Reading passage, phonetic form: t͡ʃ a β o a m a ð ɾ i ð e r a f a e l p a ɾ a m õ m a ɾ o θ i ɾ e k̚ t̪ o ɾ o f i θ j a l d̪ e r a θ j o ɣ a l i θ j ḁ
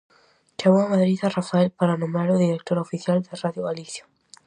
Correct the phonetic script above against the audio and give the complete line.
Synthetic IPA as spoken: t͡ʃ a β o a m a ð ɾ i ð a r a f a e l p a ɾ a n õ m a ɾ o ð i ɾ e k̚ t̪ o ɾ o f i θ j a l d̪ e r a ð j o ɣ a l i θ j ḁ